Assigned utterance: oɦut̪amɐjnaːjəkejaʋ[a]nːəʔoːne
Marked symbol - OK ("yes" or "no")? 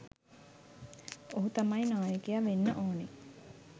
no